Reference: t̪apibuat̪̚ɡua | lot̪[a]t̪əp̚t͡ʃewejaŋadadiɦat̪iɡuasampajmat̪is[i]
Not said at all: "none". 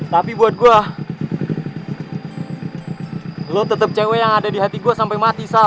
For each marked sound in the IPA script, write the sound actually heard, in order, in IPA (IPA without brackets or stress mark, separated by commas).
ə, a